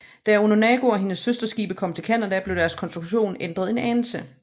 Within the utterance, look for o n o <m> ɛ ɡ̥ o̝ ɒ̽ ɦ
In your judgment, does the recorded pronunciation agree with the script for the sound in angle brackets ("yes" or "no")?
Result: no